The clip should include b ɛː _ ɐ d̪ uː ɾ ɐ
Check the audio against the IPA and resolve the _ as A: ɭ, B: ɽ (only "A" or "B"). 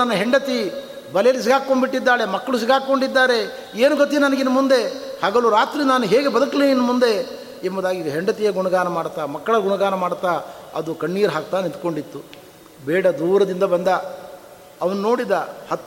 B